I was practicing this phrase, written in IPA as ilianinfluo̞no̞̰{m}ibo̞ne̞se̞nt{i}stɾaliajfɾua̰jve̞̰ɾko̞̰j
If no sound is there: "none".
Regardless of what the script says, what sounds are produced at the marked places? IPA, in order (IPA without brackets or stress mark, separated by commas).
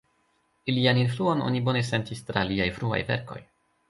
n, i